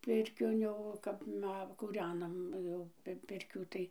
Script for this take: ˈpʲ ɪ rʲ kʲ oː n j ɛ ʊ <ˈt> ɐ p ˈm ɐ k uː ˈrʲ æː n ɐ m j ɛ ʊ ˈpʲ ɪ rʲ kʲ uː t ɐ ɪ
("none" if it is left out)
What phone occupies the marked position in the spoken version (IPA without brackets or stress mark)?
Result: k